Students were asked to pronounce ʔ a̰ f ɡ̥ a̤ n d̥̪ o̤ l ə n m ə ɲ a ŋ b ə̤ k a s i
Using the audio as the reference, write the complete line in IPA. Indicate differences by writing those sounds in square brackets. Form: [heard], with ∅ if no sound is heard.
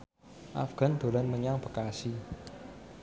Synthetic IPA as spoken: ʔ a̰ f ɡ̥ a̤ n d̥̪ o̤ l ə n m ə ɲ a ŋ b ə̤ k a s i